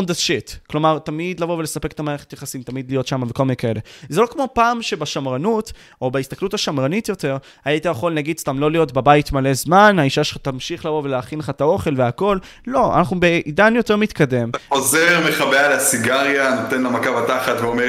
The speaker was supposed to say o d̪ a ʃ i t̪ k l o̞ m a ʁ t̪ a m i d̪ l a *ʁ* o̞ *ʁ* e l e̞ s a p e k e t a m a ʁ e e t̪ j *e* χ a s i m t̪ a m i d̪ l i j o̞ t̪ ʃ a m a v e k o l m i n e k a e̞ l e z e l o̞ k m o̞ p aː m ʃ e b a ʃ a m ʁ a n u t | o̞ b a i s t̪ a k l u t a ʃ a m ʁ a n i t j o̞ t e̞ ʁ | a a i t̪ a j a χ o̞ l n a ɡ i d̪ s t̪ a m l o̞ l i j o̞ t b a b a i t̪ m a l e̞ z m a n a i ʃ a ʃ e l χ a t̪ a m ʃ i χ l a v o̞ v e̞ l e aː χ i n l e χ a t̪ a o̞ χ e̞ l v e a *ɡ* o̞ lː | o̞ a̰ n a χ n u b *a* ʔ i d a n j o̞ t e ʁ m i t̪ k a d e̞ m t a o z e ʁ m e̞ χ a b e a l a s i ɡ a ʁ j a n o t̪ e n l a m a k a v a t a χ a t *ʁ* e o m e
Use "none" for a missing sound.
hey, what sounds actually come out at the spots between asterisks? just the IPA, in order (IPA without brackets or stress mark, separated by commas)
v, v, a, k, e, v